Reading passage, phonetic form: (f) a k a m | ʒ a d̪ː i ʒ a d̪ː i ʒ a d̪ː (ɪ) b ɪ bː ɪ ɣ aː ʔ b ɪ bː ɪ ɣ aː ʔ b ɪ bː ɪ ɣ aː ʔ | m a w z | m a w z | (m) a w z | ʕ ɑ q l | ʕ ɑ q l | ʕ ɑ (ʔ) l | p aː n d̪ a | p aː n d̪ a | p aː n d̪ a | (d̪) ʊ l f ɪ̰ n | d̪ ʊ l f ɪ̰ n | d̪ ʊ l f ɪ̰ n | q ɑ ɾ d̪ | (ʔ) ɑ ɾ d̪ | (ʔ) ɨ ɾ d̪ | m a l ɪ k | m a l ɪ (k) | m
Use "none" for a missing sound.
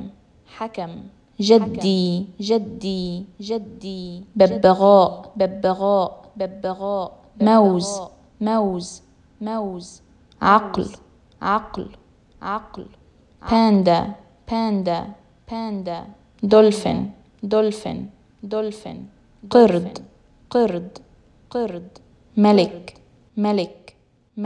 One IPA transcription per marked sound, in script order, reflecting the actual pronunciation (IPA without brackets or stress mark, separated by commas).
ħ, i, m, q, d̪, q, q, k